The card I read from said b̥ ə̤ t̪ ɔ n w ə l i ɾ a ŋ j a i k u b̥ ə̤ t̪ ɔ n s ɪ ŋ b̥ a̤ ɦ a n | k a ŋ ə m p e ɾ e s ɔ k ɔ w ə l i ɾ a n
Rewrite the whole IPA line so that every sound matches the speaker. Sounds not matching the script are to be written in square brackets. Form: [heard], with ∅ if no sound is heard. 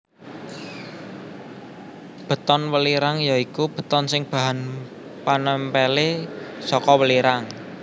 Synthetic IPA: b̥ ə̤ t̪ ɔ n w ə l i ɾ a ŋ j a i k u b̥ ə̤ t̪ ɔ n s ɪ ŋ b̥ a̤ ɦ a n | [p] a [n] ə m p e [l] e s ɔ k ɔ w ə l i ɾ a [ŋ]

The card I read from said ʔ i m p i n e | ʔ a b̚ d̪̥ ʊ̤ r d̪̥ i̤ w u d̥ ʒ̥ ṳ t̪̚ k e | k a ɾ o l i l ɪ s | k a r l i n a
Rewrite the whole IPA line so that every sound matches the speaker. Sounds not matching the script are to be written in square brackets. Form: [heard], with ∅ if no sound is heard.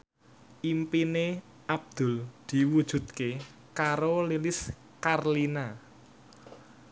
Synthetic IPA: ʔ i m p i n e | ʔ a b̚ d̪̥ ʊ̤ [l] d̪̥ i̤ w u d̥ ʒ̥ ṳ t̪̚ k e | k a ɾ o l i l ɪ s | k a r l i n a

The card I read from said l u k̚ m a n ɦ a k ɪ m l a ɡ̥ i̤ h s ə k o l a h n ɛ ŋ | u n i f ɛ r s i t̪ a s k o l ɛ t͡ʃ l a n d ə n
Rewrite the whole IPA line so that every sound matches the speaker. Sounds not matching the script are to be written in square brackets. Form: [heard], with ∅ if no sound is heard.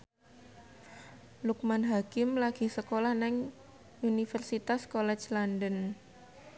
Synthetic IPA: l u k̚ m a n ɦ a k ɪ m l a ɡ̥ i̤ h s ə k o l a h n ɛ ŋ | u n i f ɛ r s i t̪ a s k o l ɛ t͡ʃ l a n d ə n

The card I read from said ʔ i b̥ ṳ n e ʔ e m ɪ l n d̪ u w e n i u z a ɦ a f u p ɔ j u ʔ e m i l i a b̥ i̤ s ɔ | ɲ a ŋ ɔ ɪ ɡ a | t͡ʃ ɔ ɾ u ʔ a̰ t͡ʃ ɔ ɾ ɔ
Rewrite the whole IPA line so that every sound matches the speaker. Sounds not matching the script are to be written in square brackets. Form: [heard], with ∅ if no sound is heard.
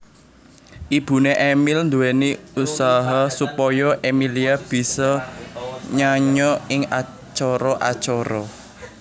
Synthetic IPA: ʔ i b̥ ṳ n e ʔ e m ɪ l n d̪ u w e n i u [s] a ɦ a [s] u p ɔ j [ɔ] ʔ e m i l i a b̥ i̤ s ɔ | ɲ a [ɲ] ɔ ɪ [ŋ] a | t͡ʃ ɔ ɾ [ɔ] ʔ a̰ t͡ʃ ɔ ɾ ɔ

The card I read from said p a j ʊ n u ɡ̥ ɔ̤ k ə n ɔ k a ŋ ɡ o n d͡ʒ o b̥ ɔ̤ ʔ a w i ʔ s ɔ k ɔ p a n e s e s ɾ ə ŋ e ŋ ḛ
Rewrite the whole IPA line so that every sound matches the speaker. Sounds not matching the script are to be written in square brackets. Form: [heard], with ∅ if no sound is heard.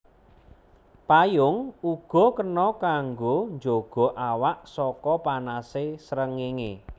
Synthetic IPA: p a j ʊ [ŋ] u ɡ̥ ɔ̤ k ə n ɔ k a ŋ ɡ o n d͡ʒ o [ɡ̥] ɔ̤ ʔ a w [a] ʔ s ɔ k ɔ p a n [a] s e s ɾ ə ŋ e ŋ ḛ

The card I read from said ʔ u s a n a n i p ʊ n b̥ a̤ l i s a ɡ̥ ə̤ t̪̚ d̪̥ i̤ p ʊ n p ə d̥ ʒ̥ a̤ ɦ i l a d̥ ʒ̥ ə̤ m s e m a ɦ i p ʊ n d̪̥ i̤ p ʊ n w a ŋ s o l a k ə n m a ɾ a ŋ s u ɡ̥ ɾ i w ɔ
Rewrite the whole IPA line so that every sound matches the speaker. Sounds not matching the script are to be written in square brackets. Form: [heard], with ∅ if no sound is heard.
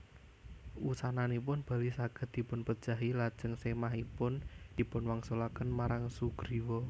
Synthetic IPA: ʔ u s a n a n i p ʊ n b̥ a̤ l i s a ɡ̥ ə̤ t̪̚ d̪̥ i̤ p ʊ n p ə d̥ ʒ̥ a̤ ɦ i l a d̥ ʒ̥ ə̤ [ŋ] s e m a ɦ i p ʊ n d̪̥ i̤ p ʊ n w a ŋ s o l a k ə n m a ɾ a ŋ s u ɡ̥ ɾ i w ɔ

